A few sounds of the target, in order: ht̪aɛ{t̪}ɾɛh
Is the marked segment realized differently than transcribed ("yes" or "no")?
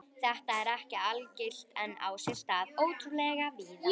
yes